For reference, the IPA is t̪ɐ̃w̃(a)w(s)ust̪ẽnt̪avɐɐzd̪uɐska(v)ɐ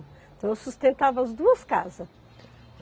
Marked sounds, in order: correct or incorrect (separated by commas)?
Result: incorrect, correct, incorrect